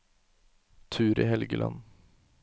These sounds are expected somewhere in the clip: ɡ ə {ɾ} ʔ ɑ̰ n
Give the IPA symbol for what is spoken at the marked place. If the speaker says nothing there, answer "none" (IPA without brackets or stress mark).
l